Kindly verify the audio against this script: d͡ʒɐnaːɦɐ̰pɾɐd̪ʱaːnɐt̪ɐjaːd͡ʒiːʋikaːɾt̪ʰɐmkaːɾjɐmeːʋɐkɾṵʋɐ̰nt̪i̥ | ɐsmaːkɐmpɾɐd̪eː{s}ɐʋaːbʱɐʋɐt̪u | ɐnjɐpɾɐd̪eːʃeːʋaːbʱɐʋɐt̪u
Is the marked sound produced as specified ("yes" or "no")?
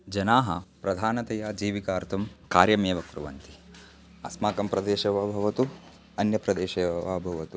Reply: no